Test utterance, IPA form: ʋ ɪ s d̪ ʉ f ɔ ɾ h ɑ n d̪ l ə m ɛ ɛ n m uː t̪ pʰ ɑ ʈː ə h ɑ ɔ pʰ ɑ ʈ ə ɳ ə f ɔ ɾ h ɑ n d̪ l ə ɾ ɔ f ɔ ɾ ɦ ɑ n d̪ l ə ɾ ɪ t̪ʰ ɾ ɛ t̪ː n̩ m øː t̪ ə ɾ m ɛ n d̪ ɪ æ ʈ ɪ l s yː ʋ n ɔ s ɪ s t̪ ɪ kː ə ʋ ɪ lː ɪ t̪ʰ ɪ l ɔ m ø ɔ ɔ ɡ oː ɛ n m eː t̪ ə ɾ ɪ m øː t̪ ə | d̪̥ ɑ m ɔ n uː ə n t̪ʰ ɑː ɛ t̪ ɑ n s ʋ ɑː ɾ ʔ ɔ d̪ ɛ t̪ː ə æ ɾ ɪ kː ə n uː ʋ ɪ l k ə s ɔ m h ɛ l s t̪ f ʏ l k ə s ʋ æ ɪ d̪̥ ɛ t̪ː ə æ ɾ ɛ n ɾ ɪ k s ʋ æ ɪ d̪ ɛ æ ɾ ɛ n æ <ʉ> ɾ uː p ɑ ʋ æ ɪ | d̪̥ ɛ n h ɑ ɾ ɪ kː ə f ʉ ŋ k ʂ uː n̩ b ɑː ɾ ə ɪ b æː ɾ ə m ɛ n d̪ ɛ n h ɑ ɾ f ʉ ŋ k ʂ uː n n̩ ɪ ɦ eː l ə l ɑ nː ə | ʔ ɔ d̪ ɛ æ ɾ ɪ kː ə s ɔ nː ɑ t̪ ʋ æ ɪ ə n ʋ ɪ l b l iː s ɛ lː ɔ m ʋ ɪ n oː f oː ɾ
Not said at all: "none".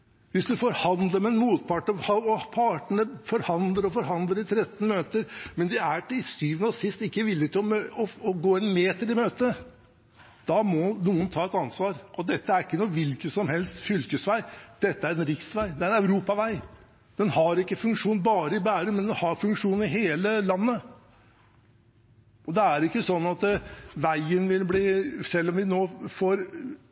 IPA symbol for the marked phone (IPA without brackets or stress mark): ʉ